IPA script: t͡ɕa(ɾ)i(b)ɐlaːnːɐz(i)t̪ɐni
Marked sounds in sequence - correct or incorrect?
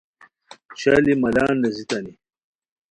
incorrect: l, incorrect: m, correct

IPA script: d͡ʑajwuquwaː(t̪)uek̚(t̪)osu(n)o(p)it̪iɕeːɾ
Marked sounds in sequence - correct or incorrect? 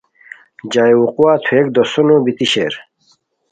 incorrect: t̪ʰ, incorrect: d̪, correct, incorrect: b

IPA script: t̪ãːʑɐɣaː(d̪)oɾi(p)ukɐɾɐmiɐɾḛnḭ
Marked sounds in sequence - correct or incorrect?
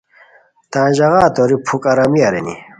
incorrect: t̪, incorrect: pʰ

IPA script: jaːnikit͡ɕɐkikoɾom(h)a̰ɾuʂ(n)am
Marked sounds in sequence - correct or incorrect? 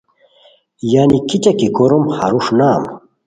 correct, correct

